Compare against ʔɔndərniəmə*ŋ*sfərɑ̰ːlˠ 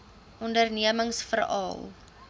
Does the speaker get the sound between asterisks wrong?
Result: no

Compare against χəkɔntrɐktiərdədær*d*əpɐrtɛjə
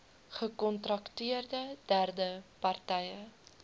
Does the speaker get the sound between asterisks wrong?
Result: no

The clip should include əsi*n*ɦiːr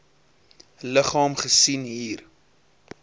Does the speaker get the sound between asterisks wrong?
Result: no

